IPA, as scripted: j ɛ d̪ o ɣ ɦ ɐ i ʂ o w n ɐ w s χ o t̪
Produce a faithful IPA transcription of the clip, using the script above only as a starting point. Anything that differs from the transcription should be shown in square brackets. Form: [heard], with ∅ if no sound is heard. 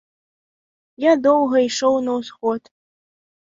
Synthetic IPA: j [a] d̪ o [w] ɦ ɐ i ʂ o w n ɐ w s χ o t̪